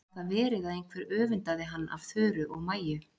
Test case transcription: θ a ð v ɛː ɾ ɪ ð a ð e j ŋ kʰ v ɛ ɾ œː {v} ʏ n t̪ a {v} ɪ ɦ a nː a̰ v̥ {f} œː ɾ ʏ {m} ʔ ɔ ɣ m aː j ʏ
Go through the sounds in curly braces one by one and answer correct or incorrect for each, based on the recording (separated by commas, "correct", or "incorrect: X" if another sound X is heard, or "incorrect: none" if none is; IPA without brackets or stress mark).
correct, incorrect: ð, incorrect: θ, incorrect: none